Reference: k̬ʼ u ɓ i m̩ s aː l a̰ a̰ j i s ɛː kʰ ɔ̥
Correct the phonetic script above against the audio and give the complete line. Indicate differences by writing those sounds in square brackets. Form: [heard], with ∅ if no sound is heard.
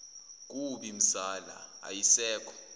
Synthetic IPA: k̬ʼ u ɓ i m̩ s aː l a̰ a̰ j i s ɛː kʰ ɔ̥